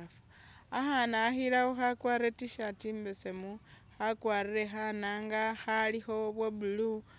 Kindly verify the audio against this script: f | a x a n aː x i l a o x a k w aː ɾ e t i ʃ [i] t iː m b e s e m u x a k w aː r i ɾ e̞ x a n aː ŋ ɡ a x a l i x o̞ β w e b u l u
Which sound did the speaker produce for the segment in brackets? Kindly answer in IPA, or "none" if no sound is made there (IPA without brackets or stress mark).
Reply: a